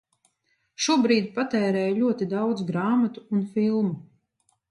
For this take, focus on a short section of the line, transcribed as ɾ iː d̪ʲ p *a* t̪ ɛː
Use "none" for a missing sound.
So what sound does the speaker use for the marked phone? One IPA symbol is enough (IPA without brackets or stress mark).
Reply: a